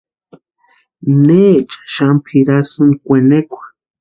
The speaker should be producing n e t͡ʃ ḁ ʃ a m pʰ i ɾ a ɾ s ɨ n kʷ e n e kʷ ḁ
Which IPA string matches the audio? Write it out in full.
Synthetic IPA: n e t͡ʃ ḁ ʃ a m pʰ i ɾ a s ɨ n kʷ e n e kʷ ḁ